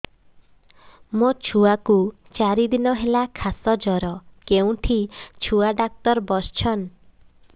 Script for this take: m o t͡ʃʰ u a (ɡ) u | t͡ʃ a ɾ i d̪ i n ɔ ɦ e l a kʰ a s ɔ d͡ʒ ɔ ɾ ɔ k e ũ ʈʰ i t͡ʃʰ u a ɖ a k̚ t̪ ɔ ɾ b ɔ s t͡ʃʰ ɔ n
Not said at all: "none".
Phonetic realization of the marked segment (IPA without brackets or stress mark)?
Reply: k